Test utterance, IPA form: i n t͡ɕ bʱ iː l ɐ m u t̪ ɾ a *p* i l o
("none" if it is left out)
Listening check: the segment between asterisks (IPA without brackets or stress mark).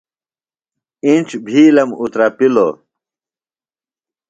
p